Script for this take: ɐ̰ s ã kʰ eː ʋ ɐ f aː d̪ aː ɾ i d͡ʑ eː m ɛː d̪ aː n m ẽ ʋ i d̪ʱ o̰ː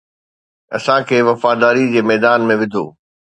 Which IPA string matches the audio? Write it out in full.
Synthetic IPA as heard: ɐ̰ s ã kʰ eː ʋ ɐ f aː d̪ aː ɾ i d͡ʑ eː m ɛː d̪ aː n m ẽ ʋ ɪ d̪ʱ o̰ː